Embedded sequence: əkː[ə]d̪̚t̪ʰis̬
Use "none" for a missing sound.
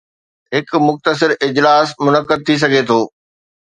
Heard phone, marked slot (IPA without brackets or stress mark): ə